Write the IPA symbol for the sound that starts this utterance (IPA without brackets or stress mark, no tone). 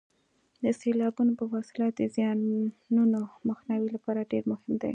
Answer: d̪